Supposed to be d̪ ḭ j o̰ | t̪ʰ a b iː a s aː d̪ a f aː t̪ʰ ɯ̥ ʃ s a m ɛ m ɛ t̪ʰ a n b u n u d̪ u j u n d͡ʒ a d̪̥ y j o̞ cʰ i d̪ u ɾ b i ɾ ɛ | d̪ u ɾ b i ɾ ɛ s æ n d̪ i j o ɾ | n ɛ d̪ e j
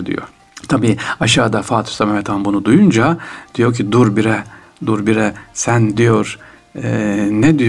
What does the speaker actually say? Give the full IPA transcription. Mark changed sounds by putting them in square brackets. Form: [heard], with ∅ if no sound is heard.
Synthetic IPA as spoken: d̪ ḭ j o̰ | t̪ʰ a b iː a [ʃ] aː d̪ a f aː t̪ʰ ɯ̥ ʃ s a m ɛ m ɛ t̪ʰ a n b u n u d̪ u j u n d͡ʒ a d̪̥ [i] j o̞ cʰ i d̪ u ɾ b i ɾ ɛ | d̪ u ɾ b i ɾ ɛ s æ n d̪ i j o ɾ | n ɛ d̪ [i] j